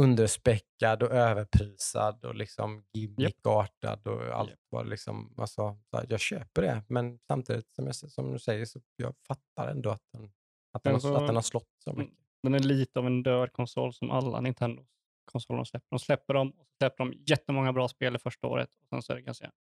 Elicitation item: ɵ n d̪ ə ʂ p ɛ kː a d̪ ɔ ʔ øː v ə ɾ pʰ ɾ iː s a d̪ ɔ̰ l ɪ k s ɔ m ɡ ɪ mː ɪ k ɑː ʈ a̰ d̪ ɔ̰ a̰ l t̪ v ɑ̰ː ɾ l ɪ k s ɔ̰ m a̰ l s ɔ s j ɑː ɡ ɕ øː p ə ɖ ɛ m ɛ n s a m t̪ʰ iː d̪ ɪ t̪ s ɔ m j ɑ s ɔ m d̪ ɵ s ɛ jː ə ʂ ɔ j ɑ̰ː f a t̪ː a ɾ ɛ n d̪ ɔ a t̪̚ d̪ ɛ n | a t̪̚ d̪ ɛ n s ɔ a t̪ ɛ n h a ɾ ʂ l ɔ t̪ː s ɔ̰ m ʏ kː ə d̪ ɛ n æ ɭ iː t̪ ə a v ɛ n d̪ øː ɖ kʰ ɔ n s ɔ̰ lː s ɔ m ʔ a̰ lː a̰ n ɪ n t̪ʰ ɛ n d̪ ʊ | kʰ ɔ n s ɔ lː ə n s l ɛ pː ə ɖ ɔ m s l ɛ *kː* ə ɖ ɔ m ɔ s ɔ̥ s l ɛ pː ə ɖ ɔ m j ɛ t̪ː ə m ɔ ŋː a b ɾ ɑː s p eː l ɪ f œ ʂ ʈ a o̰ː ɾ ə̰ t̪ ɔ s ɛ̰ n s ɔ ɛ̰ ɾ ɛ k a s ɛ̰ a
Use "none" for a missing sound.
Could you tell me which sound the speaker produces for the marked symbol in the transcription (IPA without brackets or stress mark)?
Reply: pː